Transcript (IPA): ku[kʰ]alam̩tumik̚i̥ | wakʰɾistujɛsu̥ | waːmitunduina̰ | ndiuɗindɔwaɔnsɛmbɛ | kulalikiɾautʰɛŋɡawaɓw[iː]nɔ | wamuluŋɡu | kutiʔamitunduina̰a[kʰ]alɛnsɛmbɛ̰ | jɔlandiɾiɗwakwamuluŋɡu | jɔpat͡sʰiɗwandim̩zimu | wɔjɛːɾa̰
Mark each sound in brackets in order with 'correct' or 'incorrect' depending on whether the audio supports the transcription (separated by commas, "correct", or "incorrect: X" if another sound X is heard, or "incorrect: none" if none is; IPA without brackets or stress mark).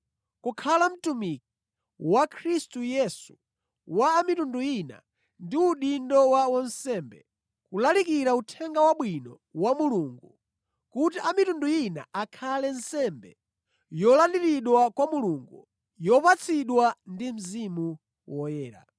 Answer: correct, incorrect: i, correct